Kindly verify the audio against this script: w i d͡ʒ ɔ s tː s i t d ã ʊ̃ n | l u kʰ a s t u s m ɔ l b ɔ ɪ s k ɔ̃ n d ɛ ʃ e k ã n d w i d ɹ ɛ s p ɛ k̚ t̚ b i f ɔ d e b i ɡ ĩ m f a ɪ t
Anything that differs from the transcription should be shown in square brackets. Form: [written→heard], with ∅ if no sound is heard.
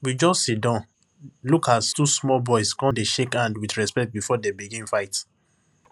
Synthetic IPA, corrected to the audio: w i d͡ʒ ɔ s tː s i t d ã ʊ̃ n | l u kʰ a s t u s m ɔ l b ɔ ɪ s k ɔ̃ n d [ɛ→e] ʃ e k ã n d w i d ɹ ɛ s p ɛ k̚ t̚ b i f ɔ d e b i ɡ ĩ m f a ɪ t